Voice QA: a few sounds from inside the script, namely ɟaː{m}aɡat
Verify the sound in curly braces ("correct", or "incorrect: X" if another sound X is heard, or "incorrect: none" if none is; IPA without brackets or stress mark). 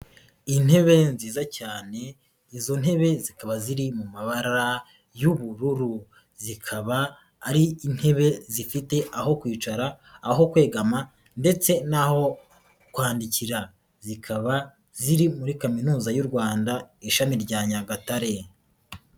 incorrect: ɲ